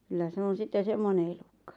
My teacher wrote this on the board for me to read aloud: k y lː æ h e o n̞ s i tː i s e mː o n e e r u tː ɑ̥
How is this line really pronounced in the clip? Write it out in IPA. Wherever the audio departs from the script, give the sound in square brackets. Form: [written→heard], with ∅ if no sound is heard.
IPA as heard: k y lː æ [h→s] e o n̞ s i tː [i→e] s e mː o n e e [r→l] u [tː→kː] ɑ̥